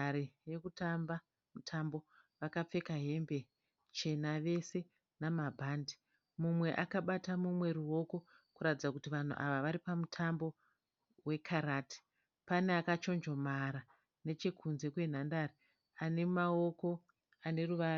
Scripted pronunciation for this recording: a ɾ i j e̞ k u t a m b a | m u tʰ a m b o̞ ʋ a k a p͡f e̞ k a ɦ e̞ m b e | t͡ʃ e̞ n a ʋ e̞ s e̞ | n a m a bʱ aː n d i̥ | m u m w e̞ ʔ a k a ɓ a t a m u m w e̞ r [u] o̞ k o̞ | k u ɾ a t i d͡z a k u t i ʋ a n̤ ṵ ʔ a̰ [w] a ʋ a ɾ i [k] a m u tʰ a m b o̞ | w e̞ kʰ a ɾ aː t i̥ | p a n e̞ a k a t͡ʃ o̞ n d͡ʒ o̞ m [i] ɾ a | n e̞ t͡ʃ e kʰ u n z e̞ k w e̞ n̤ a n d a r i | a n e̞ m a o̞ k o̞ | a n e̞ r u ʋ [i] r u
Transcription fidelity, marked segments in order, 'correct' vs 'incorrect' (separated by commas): correct, incorrect, incorrect, incorrect, incorrect